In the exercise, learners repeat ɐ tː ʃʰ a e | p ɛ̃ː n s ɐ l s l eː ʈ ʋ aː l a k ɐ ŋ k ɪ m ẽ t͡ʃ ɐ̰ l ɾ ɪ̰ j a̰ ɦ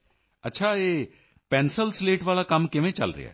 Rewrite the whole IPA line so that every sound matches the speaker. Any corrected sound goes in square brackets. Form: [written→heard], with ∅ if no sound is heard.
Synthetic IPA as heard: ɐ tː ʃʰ a e | p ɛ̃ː n s [ɐ→ə] l s l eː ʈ ʋ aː l a k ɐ [ŋ→m] k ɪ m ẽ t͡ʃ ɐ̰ l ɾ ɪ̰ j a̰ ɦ